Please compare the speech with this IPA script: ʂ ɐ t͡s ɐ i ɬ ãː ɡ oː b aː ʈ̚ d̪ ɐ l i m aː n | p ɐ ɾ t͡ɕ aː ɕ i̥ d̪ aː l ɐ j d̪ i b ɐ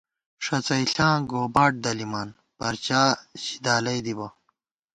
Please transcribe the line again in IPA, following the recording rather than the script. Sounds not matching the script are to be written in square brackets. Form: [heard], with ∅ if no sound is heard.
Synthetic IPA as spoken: ʂ ɐ t͡s ɐ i ɬ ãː ɡ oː b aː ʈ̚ d̪ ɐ l i m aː n | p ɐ ɾ t͡ɕ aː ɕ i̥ d̪ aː l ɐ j d̪ i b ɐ